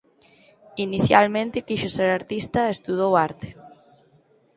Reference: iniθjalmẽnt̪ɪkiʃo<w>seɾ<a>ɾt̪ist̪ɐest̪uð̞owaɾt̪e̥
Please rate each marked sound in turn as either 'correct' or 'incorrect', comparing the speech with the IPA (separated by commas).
incorrect, correct